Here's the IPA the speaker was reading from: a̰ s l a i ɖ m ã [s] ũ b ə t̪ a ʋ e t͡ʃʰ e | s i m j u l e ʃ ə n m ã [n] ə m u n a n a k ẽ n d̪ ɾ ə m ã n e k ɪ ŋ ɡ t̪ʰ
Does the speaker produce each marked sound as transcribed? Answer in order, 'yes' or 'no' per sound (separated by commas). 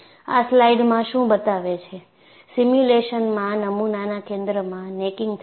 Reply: no, yes